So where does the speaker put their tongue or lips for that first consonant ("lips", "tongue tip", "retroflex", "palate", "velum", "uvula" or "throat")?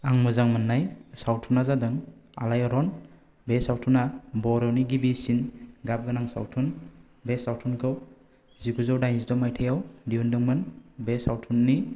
velum